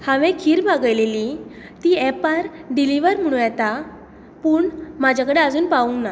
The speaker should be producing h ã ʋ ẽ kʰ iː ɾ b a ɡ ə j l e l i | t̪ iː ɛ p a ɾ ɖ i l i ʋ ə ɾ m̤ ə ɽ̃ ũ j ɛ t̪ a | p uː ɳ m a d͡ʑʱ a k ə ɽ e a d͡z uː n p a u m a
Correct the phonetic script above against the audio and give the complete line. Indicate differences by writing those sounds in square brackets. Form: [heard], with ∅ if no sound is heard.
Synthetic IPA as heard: h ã ʋ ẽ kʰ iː ɾ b a ɡ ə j l e l i | t̪ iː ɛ p a ɾ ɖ i l i ʋ ə ɾ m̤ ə ɽ̃ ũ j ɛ t̪ a | p uː ɳ m a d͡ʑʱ a k ə ɽ e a d͡z uː n p a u [n] a